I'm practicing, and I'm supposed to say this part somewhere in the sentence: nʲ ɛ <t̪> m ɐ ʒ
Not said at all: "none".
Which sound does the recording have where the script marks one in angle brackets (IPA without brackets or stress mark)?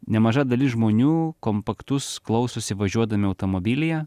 none